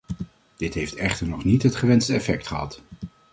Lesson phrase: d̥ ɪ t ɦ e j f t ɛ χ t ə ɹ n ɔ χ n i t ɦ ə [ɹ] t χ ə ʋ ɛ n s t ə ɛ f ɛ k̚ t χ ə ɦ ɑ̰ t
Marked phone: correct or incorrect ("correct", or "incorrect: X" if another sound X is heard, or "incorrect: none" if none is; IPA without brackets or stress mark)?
incorrect: none